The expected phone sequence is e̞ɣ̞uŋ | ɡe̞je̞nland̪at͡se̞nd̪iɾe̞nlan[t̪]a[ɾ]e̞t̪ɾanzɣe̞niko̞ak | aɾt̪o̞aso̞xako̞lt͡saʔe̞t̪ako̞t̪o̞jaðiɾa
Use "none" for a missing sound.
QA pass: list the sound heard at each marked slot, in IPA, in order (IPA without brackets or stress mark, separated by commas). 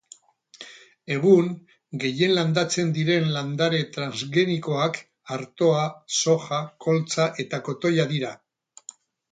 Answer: d̪, ɾ